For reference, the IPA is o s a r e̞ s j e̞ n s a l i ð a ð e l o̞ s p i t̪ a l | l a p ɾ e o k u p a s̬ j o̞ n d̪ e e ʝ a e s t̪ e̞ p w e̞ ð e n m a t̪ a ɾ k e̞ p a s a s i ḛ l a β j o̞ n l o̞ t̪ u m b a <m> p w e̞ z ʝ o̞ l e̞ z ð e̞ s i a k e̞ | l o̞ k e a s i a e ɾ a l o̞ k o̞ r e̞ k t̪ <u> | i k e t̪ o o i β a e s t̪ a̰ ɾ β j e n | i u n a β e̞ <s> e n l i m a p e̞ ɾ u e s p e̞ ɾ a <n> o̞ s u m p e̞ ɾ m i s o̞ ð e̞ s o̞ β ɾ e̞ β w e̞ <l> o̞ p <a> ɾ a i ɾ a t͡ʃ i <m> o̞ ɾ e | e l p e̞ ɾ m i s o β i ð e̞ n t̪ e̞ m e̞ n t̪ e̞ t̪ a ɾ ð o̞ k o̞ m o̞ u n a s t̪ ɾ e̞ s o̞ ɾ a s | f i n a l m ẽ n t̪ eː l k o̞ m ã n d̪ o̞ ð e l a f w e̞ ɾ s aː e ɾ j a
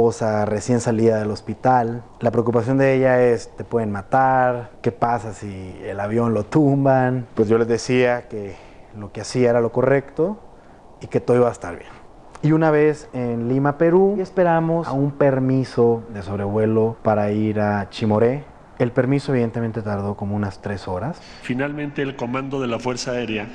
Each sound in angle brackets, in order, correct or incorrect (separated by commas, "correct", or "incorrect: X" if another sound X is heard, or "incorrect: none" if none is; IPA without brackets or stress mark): incorrect: n, incorrect: o, correct, incorrect: m, correct, correct, correct